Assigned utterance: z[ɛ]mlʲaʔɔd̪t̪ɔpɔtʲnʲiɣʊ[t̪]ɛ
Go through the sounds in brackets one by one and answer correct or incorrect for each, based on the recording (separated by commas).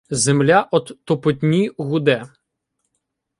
incorrect, incorrect